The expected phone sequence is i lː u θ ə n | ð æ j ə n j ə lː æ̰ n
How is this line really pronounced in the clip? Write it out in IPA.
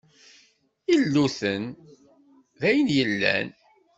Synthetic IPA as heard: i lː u θ ə n | ð æ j ə n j ə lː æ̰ n